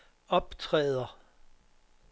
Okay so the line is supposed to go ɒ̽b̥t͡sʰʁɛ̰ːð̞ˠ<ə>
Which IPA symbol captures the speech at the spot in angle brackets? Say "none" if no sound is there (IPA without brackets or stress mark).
ɐ